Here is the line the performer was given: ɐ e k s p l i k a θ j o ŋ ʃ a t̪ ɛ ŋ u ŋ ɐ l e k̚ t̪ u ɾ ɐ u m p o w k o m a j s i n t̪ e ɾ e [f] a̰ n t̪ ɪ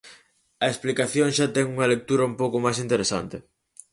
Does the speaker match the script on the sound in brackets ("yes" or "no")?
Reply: no